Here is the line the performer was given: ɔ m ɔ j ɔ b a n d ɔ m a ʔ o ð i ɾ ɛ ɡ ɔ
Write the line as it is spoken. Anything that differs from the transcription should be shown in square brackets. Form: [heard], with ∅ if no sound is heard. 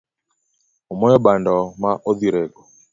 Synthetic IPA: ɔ m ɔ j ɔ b a n d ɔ m a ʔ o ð i ɾ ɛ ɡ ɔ